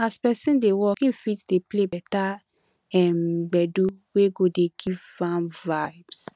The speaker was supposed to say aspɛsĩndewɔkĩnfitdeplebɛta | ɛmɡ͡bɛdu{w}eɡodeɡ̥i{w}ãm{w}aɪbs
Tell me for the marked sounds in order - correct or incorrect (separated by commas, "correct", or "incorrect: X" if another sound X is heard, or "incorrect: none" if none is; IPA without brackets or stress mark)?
correct, incorrect: v, incorrect: v